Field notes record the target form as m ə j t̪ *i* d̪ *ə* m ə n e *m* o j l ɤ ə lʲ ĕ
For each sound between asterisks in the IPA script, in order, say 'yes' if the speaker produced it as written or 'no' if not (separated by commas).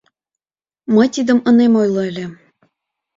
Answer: yes, yes, yes